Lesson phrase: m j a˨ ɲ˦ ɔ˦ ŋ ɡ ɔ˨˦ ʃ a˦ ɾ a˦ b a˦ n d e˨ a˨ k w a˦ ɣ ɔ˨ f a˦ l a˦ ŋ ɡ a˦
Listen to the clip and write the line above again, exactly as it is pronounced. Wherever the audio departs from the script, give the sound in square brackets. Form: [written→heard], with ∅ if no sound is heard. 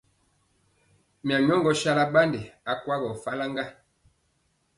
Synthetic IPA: m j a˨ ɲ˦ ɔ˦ ŋ ɡ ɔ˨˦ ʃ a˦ [ɾ→l] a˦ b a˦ n d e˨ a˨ k w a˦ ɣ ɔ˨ f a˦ l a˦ ŋ ɡ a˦